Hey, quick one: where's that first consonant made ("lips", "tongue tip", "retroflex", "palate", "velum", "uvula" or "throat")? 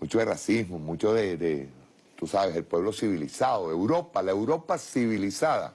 lips